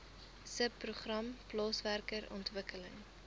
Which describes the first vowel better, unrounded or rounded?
unrounded